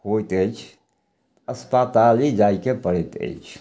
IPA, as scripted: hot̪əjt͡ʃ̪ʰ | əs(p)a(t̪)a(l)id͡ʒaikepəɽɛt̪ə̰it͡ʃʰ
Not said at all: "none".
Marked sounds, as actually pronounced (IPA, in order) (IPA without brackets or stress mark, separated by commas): p, t̪, l